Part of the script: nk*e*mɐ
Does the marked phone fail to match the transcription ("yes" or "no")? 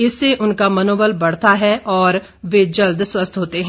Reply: yes